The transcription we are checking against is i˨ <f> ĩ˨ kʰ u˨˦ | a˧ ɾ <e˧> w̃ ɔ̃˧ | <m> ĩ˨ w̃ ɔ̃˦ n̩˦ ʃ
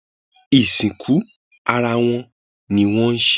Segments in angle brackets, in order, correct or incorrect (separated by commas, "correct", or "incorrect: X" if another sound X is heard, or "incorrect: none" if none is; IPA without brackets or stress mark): incorrect: s, incorrect: a˧, incorrect: n